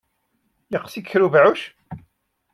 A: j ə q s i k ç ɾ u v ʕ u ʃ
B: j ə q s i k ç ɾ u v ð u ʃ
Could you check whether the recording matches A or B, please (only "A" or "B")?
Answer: A